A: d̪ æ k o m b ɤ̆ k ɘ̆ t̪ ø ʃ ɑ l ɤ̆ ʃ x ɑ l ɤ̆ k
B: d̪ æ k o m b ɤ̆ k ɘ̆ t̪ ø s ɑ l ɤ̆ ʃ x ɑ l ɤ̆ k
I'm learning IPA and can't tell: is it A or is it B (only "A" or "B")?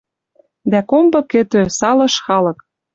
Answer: B